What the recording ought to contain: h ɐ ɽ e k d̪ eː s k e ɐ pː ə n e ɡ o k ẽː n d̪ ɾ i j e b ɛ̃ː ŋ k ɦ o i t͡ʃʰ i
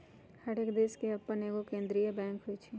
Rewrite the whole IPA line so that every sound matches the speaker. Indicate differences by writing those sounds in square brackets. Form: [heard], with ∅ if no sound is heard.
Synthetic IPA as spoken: h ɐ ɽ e k d̪ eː s k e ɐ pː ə n e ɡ o k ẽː n d̪ ɾ i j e b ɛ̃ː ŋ k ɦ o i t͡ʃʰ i